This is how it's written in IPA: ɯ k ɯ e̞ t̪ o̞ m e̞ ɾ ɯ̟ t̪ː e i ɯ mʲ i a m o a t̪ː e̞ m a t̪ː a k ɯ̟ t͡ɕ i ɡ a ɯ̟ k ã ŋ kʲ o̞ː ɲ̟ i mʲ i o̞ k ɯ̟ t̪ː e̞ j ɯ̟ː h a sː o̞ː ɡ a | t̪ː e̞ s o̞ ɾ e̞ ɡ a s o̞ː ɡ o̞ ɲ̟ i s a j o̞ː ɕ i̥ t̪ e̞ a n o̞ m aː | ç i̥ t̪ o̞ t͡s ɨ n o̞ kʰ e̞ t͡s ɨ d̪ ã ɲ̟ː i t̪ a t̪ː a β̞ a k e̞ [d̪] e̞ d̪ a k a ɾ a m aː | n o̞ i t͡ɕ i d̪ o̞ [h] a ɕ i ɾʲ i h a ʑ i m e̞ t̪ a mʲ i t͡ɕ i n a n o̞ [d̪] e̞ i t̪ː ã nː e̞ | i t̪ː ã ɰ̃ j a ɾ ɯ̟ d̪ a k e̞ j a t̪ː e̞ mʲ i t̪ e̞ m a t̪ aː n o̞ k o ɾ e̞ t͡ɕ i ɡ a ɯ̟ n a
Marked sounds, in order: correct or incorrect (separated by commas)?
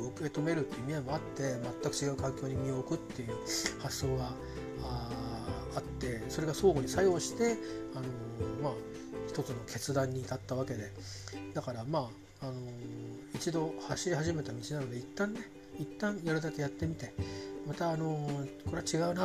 correct, correct, correct